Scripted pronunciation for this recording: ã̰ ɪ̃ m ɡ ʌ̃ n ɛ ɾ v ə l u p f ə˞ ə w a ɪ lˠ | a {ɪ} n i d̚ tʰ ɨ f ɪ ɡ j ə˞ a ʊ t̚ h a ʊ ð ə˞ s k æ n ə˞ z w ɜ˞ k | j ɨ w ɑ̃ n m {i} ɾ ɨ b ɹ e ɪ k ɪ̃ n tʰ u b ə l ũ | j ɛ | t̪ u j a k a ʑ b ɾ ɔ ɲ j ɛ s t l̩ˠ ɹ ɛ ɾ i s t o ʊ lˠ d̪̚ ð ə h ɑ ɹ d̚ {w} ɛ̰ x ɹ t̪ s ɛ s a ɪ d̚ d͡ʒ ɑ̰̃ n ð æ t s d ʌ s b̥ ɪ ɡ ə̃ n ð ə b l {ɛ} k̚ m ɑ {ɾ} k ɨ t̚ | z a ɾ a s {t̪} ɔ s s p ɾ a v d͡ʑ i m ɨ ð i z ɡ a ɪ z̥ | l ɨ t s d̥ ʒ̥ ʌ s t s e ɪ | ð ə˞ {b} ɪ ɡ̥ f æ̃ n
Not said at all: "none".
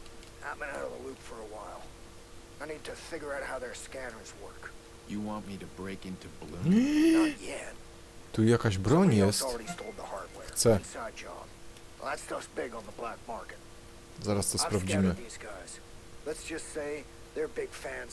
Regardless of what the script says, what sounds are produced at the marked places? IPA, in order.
ɪ, i, w, æ, ɹ, t̪, b

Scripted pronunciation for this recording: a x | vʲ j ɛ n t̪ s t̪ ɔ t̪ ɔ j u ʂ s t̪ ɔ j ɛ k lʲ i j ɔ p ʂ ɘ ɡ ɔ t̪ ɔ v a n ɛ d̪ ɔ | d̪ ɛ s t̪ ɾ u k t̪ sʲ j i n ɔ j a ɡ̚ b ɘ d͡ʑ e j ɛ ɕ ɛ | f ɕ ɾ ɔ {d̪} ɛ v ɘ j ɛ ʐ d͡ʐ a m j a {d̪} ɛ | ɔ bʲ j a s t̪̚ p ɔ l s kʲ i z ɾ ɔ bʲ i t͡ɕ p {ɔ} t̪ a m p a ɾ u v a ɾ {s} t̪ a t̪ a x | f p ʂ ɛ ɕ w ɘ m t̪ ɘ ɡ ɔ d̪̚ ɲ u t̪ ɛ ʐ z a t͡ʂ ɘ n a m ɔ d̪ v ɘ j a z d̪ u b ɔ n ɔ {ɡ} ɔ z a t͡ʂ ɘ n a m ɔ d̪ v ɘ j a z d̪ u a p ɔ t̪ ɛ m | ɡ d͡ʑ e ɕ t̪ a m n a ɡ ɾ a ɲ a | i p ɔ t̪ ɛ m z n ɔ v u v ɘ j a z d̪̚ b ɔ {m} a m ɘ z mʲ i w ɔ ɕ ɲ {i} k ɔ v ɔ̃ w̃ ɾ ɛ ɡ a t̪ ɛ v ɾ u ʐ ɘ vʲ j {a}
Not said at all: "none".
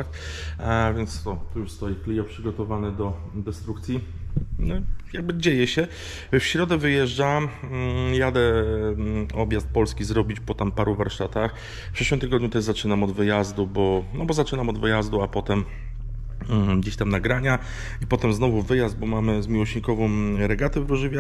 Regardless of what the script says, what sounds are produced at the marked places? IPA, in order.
d̪, d̪, ɔ, ʂ, b, m, i, a

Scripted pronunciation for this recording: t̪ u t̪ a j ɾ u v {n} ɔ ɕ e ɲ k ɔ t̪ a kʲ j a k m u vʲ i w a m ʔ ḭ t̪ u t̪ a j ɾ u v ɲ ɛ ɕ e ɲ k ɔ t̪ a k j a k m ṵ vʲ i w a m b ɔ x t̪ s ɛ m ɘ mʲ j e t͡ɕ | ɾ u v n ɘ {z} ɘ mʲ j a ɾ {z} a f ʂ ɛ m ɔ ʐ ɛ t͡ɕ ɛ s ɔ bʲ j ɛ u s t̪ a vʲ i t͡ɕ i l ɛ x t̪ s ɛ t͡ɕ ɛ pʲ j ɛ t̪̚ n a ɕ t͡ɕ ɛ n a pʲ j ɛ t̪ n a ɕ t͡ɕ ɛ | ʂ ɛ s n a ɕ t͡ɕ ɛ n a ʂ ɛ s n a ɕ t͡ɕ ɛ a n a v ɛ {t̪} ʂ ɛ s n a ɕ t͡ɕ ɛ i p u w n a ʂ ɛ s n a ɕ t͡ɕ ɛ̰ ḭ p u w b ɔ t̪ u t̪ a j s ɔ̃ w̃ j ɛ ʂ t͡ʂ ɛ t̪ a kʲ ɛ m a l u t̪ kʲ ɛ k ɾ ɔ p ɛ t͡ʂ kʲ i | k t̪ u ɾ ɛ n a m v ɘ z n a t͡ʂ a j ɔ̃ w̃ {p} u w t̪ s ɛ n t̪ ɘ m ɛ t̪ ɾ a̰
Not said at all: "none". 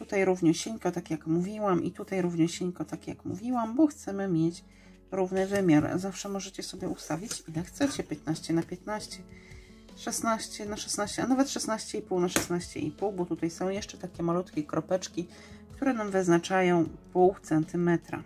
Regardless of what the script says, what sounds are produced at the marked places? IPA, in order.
ɲ, v, z, t̪, p

